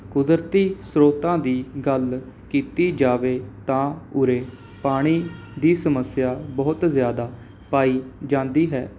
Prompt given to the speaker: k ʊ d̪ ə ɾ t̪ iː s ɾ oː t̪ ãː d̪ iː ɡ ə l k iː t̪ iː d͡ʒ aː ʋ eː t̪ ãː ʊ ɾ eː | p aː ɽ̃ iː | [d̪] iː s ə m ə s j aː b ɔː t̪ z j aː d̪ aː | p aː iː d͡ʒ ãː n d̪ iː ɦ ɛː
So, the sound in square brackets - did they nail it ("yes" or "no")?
yes